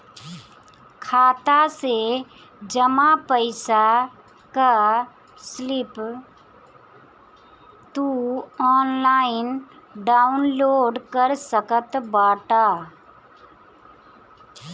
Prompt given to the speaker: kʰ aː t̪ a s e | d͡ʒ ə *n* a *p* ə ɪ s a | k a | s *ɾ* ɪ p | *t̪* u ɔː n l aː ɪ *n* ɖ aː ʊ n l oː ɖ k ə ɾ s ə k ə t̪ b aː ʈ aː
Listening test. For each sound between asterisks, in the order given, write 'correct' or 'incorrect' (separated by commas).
incorrect, correct, incorrect, correct, correct